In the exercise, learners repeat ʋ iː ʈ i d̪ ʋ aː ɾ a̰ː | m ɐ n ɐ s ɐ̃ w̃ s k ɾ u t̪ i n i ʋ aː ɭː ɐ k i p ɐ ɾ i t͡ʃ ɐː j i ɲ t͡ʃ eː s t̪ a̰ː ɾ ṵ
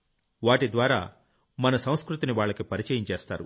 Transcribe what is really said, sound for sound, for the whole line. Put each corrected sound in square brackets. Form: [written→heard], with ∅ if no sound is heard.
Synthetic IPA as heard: ʋ [iː→aː] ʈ i d̪ ʋ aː ɾ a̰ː | m ɐ n ɐ s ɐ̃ w̃ s k ɾ u t̪ i n i ʋ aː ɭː ɐ k i p ɐ ɾ i t͡ʃ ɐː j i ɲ t͡ʃ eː s t̪ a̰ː ɾ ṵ

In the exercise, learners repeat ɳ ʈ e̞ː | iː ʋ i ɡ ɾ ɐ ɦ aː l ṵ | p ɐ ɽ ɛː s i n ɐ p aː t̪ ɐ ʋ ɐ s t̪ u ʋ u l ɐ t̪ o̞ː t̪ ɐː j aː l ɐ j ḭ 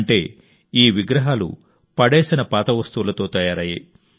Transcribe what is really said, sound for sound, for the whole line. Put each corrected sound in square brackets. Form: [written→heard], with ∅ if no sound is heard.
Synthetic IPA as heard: ɳ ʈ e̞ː | iː ʋ i ɡ ɾ ɐ ɦ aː l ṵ | p ɐ ɽ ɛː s i n ɐ p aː t̪ ɐ ʋ ɐ s t̪ u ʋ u l ɐ t̪ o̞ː t̪ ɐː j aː [l→ɾ] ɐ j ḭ

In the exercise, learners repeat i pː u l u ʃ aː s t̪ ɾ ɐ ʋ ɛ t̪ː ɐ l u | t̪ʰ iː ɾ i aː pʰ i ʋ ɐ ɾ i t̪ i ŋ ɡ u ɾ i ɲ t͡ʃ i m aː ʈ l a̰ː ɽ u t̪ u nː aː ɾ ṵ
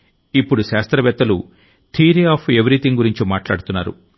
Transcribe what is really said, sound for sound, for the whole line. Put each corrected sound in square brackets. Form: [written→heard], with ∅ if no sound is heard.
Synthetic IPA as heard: i pː u [l→ɽ] u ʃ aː s t̪ ɾ ɐ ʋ ɛ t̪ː ɐ l u | t̪ʰ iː ɾ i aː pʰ [i→e] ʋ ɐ ɾ i t̪ i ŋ ɡ u ɾ i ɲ t͡ʃ i m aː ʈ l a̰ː ɽ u t̪ u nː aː ɾ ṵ

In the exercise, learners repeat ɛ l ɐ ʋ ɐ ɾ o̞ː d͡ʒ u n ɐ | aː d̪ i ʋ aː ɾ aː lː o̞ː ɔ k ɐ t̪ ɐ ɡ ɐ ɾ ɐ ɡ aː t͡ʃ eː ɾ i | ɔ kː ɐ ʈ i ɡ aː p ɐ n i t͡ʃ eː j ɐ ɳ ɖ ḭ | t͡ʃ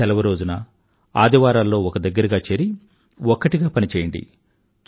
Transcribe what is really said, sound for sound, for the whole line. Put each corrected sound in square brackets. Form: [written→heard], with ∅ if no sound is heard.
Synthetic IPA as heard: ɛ l ɐ ʋ ɐ ɾ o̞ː d͡ʒ u n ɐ | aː d̪ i ʋ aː ɾ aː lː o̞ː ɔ k ɐ [t̪→d̪] ɐ [ɡ→ɡː] ɐ ɾ ɐ ɡ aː t͡ʃ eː ɾ i | ɔ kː ɐ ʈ i ɡ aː p ɐ n i t͡ʃ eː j ɐ ɳ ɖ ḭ | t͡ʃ

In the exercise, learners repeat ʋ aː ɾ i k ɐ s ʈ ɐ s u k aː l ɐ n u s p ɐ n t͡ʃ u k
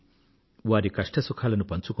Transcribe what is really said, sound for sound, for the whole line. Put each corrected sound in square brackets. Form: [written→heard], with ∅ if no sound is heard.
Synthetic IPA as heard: ʋ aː ɾ i k ɐ [s→ʂ] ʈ ɐ s u [k→kʰ] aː l ɐ n u [s→∅] p ɐ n t͡ʃ u k

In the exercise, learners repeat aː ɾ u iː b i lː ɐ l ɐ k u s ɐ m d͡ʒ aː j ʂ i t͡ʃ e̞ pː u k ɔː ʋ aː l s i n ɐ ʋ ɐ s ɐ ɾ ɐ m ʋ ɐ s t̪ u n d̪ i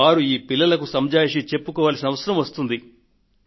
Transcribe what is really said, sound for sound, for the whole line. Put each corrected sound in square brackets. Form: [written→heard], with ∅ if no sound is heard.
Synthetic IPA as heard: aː ɾ u iː [b→p] i lː ɐ l ɐ k u s ɐ m d͡ʒ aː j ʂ i t͡ʃ e̞ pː u k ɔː ʋ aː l s i n ɐ ʋ ɐ s ɐ ɾ ɐ m ʋ ɐ s t̪ u n d̪ i

